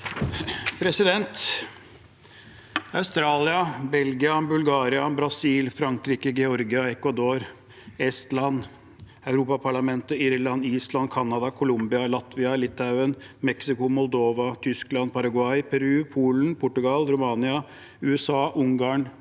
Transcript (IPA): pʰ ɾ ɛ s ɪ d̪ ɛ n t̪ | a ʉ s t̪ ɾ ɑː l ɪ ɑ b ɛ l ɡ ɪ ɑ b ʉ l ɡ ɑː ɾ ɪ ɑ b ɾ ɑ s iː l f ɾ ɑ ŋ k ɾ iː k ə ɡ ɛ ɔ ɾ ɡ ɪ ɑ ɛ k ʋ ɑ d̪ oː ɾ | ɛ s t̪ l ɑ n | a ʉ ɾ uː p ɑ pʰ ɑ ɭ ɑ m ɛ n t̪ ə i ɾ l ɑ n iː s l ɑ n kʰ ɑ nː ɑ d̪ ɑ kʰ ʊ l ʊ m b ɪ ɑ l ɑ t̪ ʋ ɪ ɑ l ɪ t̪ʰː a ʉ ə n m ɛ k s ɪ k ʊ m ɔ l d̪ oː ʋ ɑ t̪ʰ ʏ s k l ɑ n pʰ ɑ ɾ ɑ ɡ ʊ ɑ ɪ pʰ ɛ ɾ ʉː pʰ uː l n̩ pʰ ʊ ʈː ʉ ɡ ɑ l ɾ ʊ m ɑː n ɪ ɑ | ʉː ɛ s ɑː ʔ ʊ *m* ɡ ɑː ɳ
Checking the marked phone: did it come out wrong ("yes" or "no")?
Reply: yes